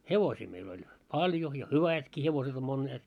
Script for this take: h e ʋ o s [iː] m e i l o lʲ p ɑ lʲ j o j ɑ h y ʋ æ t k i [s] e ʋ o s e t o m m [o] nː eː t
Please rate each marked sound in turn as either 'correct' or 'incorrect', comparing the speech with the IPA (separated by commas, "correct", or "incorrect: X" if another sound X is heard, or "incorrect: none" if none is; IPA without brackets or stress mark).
correct, incorrect: h, correct